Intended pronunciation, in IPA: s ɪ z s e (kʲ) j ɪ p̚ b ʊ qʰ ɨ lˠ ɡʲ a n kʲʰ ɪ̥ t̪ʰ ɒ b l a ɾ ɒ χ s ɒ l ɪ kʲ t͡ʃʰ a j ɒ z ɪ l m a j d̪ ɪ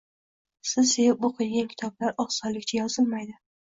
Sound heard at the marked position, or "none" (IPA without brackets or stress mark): none